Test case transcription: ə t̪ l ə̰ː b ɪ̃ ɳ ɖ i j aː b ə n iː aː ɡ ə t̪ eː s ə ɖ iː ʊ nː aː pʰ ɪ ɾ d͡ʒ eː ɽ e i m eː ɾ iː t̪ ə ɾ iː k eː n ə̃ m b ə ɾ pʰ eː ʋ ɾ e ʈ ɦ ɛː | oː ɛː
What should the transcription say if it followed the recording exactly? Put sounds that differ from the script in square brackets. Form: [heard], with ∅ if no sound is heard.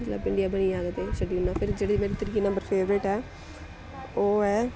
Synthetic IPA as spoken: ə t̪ l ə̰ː b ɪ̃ ɳ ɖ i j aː b ə n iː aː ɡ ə t̪ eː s ə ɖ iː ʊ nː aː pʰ ɪ ɾ d͡ʒ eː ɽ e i m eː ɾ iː t̪ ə ɾ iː k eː n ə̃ m b ə ɾ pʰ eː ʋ ɾ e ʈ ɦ ɛː | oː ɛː